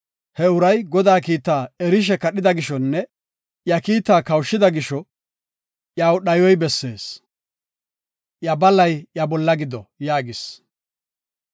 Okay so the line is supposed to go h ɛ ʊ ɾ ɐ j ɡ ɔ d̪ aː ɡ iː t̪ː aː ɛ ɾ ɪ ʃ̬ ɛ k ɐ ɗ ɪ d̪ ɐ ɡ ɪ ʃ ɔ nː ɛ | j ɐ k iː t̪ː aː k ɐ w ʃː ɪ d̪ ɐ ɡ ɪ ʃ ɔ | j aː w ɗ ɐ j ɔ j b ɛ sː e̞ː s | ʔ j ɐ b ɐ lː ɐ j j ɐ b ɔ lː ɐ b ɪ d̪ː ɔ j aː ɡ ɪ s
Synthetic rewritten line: h ɛ ʊ ɾ ɐ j ɡ ɔ d̪ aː k iː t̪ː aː ɛ ɾ ɪ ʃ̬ ɛ k ɐ ɗ ɪ d̪ ɐ ɡ ɪ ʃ ɔ nː ɛ | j ɐ k iː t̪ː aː k ɐ w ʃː ɪ d̪ ɐ ɡ ɪ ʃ ɔ | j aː w ɗ ɐ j ɔ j b ɛ sː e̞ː s | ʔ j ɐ b ɐ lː ɐ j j ɐ b ɔ lː ɐ ɡ ɪ d̪ ɔ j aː ɡ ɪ s